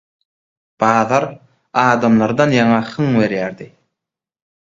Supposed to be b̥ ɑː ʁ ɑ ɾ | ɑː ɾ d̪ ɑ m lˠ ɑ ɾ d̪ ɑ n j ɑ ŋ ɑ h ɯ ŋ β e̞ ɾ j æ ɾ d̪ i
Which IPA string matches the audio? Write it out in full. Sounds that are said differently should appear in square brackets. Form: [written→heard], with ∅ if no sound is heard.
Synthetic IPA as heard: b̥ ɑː [ʁ→ð] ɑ ɾ | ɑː [ɾ→∅] d̪ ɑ m lˠ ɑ ɾ d̪ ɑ n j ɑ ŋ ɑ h ɯ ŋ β e̞ ɾ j æ ɾ d̪ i